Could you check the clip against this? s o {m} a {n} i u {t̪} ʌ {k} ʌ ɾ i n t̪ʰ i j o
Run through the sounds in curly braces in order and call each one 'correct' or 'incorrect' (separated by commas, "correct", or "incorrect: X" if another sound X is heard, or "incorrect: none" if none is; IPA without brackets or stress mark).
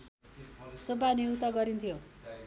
incorrect: b, correct, correct, incorrect: ɡ